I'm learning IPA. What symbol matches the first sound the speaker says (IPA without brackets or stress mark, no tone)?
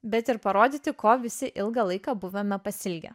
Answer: bʲ